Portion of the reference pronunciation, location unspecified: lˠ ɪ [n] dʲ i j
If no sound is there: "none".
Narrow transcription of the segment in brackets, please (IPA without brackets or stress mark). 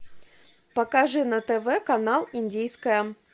n